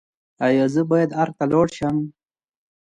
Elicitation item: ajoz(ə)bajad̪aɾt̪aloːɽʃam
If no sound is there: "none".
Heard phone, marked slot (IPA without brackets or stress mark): ə